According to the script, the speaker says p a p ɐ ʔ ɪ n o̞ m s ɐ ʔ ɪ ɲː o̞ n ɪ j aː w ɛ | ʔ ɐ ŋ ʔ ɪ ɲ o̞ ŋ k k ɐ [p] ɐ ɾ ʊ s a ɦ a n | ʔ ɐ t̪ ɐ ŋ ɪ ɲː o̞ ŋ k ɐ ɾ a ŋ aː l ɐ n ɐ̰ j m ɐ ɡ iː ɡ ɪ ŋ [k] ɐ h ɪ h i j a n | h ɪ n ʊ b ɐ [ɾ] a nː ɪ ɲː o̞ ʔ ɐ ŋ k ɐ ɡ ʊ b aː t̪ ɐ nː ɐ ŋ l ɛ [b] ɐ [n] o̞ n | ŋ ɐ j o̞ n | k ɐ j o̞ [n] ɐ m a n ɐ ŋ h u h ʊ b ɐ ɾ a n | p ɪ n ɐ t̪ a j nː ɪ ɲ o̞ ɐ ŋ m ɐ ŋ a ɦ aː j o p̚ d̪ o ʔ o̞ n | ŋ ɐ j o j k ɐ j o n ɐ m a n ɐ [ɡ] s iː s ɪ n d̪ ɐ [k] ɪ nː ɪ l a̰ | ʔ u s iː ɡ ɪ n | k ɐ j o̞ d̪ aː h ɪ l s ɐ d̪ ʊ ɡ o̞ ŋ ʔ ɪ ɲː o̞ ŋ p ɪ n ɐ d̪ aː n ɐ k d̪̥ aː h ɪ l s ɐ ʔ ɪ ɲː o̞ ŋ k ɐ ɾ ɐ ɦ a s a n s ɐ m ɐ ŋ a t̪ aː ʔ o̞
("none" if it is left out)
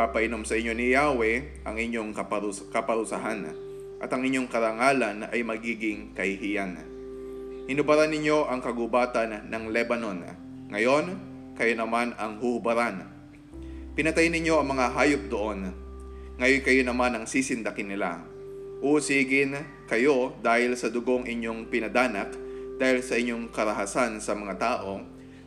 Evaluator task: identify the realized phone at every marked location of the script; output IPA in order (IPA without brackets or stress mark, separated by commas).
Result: p, k, ɾ, b, n, n, ŋ, k